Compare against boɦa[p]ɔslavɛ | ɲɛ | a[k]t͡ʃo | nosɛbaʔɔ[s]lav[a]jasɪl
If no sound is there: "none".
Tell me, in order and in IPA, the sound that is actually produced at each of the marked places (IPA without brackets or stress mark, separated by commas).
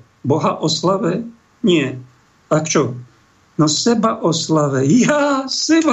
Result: ʔ, k, s, ɛ